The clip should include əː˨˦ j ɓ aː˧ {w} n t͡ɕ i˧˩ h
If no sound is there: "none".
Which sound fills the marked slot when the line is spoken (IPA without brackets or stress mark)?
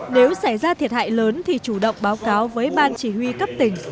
none